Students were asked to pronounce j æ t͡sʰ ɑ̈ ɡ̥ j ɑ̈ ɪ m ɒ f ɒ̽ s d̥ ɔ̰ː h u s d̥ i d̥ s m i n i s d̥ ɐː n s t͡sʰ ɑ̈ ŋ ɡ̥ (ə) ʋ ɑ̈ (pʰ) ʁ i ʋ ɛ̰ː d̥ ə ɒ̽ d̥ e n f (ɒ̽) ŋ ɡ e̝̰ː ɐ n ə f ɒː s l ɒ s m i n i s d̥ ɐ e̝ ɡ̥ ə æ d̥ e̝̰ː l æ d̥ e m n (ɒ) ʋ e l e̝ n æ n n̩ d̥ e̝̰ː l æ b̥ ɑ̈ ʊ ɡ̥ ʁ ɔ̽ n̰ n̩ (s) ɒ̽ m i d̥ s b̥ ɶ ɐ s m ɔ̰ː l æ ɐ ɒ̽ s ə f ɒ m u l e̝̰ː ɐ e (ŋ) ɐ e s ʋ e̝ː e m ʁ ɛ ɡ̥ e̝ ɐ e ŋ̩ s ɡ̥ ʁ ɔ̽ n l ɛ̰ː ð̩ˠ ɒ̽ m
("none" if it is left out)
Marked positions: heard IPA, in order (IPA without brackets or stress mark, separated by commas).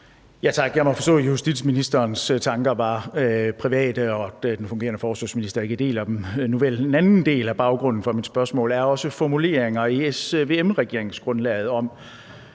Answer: ɐ, pʰ, ɔ̽, u, f, ŋ